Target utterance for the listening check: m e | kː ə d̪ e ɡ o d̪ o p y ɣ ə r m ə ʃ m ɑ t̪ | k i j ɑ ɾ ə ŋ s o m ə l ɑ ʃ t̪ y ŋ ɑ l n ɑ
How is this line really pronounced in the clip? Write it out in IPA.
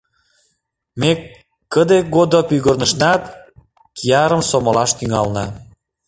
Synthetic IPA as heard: m e | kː ə d̪ e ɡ o d̪ o p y ɣ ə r n ə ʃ n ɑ t̪ | k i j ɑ ɾ ə m s o m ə l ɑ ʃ t̪ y ŋ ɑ l n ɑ